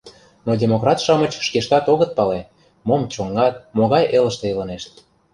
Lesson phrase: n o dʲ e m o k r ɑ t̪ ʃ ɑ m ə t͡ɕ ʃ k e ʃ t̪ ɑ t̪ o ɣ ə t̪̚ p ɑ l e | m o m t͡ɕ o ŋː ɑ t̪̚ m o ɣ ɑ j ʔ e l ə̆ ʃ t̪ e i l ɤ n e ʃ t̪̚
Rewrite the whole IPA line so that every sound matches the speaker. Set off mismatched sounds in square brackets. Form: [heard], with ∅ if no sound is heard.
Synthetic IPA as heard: n o dʲ e m o k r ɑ t̪ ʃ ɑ m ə t͡ɕ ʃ k e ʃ t̪ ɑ t̪ o ɣ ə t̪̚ p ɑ l e | m o m t͡ɕ o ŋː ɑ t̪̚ m o ɣ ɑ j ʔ e l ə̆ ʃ t̪ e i l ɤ n e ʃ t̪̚